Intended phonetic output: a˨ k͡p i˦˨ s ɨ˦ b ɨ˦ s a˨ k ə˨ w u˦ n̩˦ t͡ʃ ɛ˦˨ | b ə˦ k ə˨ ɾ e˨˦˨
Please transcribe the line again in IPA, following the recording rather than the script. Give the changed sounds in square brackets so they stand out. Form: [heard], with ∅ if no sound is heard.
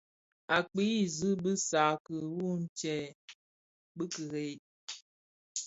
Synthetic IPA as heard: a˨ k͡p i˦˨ [z] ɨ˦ b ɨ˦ s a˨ k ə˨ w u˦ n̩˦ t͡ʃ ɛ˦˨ | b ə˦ k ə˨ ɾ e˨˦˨